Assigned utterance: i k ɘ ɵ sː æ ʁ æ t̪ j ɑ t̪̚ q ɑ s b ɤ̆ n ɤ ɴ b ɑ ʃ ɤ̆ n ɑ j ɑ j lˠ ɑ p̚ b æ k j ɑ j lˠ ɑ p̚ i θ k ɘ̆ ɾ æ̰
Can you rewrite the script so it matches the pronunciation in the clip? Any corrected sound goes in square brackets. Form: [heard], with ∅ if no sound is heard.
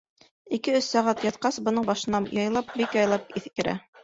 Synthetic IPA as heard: i k ɘ ɵ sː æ ʁ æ t̪ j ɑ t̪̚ q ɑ s b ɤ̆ n ɤ ɴ b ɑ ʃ ɤ̆ n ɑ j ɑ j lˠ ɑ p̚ b [i] k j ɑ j lˠ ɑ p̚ i θ k ɘ̆ ɾ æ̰